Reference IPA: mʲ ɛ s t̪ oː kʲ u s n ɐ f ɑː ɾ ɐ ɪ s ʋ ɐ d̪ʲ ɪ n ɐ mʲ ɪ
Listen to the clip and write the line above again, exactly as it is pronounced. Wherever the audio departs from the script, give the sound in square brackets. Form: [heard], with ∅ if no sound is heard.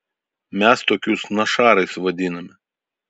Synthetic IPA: mʲ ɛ s t̪ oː kʲ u s n ɐ [ʃ] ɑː ɾ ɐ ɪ s ʋ ɐ d̪ʲ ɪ n ɐ mʲ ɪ